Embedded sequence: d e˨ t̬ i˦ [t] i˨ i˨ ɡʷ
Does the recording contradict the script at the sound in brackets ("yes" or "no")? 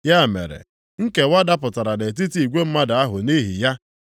no